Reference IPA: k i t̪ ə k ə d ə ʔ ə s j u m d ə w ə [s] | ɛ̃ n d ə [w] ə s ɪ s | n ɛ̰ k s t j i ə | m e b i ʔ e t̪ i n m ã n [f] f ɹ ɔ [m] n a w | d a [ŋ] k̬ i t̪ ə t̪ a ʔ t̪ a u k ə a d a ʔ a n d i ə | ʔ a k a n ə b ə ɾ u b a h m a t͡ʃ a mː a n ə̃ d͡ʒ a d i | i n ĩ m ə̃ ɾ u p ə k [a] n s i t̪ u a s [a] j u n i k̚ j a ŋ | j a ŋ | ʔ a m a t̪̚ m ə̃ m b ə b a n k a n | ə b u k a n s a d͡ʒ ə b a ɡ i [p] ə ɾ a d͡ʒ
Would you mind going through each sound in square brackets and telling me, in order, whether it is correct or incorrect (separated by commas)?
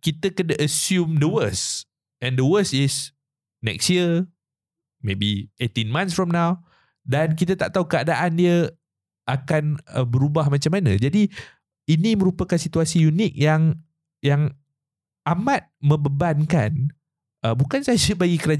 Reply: correct, correct, incorrect, correct, incorrect, correct, incorrect, incorrect